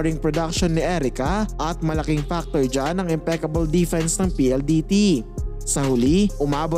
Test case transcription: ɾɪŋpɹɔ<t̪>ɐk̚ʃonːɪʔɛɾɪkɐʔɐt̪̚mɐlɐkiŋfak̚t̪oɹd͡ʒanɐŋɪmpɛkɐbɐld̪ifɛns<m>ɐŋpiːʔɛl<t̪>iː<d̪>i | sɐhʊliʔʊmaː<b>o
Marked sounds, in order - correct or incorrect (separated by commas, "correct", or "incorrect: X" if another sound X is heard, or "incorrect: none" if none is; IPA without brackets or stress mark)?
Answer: incorrect: d̪, incorrect: n, incorrect: d̪, incorrect: t̪, correct